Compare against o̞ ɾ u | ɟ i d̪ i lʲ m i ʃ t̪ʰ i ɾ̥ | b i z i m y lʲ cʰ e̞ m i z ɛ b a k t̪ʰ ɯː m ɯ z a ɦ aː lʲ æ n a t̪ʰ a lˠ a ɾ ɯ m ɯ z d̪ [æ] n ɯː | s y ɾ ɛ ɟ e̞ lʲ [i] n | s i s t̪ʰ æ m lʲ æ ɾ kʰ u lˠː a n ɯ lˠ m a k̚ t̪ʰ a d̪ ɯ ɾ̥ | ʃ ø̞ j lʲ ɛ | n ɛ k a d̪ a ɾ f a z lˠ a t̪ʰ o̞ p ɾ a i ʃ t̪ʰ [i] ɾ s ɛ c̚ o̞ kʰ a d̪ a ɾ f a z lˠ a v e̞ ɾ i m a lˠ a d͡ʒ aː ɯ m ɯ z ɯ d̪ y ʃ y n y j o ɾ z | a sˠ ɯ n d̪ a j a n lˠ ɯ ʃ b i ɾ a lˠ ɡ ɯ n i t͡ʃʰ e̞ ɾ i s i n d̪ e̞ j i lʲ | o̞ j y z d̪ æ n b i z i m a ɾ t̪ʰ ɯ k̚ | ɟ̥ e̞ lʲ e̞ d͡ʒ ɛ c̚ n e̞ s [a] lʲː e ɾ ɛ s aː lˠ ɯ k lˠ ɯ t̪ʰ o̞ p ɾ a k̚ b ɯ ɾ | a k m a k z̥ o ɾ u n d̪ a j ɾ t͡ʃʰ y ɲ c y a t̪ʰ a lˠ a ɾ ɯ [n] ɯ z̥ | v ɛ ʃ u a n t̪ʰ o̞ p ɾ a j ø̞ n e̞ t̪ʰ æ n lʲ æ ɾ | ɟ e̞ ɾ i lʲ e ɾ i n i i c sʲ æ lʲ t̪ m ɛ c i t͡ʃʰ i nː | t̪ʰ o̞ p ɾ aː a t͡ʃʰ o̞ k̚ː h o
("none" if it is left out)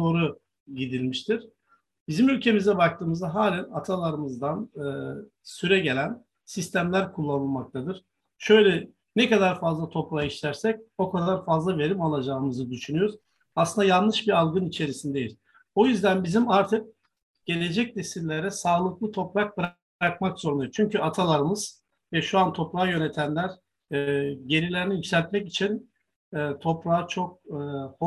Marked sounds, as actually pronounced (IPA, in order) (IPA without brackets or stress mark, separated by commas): a, æ, æ, i, m